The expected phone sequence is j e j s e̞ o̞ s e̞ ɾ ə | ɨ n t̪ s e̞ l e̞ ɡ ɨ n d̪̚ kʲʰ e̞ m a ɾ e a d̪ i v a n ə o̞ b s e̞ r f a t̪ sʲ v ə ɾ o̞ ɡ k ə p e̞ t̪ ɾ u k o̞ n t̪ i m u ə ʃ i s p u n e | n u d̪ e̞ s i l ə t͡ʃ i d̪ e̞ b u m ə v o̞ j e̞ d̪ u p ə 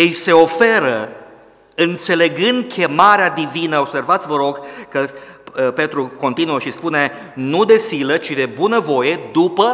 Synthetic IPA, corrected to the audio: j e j s e̞ o̞ f e̞ ɾ ə | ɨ n t̪ s e̞ l e̞ ɡ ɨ n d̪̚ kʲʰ e̞ m a ɾ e a d̪ i v i n ə o̞ b s e̞ r v a t̪ sʲ v ə ɾ o̞ ɡ k ə p e̞ t̪ ɾ u k o̞ n t̪ i n u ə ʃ i s p u n e | n u d̪ e̞ s i l ə t͡ʃ i d̪ e̞ b u n ə v o̞ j e̞ d̪ u p ə